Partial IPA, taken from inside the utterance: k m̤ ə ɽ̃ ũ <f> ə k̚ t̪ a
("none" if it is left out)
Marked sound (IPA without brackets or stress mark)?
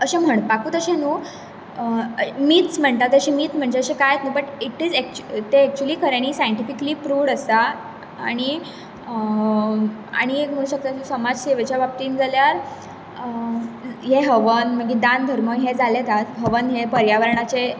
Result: ɕ